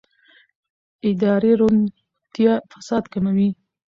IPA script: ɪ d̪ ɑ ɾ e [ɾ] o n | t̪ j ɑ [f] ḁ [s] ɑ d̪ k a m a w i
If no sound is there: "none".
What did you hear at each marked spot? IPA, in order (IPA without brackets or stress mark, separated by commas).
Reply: ɾ, f, s